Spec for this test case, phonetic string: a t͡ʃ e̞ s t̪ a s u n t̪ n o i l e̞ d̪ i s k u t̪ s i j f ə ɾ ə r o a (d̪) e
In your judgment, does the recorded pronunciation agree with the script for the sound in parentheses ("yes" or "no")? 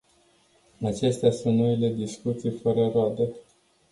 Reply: yes